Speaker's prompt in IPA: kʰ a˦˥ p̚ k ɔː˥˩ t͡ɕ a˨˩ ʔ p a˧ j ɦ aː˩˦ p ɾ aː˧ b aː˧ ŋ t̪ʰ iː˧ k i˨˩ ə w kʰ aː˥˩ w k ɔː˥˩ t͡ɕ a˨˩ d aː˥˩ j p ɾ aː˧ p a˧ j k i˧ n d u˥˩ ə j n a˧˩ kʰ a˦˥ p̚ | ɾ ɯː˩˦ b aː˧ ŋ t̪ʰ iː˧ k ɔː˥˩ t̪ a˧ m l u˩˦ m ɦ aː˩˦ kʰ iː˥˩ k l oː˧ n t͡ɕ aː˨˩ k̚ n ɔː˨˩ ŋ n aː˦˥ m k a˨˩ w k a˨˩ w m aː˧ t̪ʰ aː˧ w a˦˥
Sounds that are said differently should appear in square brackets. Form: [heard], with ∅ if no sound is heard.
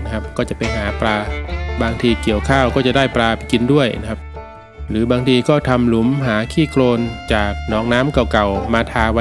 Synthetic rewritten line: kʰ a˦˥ p̚ k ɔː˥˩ t͡ɕ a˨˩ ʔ p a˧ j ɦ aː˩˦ p ɾ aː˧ b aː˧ ŋ t̪ʰ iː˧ k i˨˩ ə w kʰ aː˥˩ w k ɔː˥˩ t͡ɕ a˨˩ d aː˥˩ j p ɾ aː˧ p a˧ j k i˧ n d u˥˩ ə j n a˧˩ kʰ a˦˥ p̚ | ɾ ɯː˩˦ b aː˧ ŋ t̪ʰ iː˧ k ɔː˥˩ [t̪ʰ] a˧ m l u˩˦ m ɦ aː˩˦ kʰ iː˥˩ k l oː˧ n t͡ɕ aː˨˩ k̚ n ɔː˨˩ ŋ n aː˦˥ m k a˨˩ w k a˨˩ w m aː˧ t̪ʰ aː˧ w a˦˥